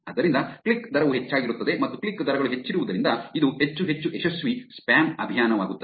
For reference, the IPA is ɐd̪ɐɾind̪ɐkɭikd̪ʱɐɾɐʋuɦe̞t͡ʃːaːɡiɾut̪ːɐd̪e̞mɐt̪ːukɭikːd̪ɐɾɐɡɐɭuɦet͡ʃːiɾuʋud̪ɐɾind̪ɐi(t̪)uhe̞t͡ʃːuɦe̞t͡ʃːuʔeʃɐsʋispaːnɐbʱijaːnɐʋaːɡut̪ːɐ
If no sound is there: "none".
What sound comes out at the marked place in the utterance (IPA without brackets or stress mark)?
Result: d̪